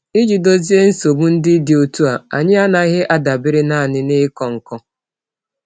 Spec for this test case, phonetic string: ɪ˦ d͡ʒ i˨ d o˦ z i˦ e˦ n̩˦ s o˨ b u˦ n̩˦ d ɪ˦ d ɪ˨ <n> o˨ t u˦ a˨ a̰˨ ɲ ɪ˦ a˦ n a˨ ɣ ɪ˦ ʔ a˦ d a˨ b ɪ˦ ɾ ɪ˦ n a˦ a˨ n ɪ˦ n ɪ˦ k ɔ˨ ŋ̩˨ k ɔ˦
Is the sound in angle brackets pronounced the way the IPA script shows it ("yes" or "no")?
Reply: no